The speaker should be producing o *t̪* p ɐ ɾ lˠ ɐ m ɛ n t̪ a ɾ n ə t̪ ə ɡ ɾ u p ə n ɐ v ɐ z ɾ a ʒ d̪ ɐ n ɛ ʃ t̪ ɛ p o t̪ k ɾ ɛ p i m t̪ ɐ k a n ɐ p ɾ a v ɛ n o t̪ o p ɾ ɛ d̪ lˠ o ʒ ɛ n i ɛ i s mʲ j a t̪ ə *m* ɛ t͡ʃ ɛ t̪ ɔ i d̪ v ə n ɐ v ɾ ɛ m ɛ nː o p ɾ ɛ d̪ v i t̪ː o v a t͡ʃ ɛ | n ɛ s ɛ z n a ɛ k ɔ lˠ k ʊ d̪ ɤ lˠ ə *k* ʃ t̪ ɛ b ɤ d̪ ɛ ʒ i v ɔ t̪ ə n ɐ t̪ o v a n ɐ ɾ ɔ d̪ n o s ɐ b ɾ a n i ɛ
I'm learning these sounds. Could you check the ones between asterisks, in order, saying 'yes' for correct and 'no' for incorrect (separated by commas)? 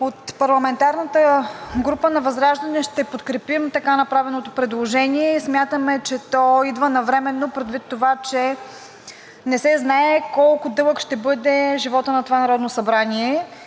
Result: yes, yes, yes